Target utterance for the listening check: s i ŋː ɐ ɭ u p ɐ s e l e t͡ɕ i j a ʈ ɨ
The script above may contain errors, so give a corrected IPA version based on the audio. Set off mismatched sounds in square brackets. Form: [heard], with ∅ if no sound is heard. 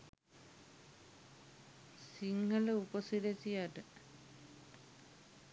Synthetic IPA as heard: s i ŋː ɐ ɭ u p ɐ s [i] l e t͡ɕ i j a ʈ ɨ